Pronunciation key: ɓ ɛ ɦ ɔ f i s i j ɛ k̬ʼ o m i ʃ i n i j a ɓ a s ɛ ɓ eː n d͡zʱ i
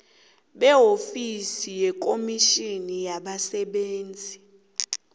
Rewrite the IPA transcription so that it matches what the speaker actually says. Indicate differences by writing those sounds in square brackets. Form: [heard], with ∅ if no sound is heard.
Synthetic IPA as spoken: ɓ ɛ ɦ [o] f i s i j ɛ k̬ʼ o m i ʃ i n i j a ɓ a s ɛ ɓ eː n d͡zʱ i